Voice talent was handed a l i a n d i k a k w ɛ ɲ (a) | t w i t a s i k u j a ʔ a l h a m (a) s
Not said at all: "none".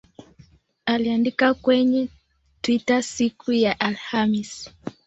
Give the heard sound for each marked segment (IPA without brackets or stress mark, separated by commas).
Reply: ɛ, i